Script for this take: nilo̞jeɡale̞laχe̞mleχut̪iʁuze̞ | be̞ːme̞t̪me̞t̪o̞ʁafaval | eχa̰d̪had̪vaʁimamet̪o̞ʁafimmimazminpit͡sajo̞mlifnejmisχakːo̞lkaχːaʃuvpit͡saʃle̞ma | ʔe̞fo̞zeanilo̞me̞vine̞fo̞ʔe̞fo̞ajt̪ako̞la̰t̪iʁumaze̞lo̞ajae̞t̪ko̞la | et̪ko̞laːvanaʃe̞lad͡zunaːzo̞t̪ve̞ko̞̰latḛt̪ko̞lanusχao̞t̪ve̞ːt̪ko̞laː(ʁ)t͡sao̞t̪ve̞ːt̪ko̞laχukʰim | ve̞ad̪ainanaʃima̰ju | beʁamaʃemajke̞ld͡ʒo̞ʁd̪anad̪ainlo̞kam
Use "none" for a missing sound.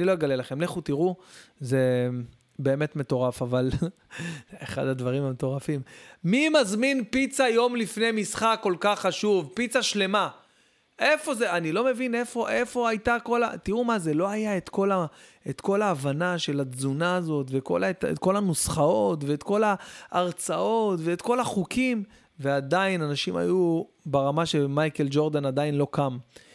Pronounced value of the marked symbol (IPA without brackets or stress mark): ʁ